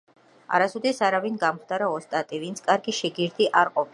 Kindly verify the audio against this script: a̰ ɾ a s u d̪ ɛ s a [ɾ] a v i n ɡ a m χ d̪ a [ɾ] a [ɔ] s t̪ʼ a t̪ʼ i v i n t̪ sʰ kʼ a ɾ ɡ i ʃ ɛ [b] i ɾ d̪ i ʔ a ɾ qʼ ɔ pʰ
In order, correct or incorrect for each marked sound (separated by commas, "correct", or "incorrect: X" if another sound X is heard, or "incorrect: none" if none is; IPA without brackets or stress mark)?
correct, correct, correct, incorrect: ɡ